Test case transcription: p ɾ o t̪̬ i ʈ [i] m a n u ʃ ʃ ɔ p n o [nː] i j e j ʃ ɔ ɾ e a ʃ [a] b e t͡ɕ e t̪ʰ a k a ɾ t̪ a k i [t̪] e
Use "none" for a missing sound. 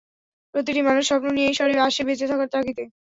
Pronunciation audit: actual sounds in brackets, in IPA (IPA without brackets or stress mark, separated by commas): i, n, e, t̪